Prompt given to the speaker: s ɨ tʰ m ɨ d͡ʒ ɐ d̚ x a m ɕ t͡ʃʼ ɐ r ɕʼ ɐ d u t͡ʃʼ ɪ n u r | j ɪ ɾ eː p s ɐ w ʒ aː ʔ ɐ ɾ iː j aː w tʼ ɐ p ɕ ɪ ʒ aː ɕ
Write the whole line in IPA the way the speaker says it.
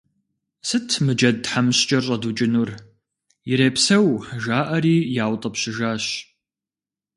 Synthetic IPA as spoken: s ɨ tʰ m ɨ d͡ʒ ɐ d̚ ħ a m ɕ t͡ʃʼ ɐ r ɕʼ ɐ d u t͡ʃʼ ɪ n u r | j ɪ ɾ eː p s ɐ w ʒ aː ʔ ɐ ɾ iː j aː w tʼ ɐ p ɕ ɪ ʒ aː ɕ